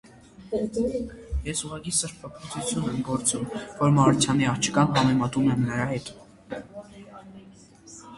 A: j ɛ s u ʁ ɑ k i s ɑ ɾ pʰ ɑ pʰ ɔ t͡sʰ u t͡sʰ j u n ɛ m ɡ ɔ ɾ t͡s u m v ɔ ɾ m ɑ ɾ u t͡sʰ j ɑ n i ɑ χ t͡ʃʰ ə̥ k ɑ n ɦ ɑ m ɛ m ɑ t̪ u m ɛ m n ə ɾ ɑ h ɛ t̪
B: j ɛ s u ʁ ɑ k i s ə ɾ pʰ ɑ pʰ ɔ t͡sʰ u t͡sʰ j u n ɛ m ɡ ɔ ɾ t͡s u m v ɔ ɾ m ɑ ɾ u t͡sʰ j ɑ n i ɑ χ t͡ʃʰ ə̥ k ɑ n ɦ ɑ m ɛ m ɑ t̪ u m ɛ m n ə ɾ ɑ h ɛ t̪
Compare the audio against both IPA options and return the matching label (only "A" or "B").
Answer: B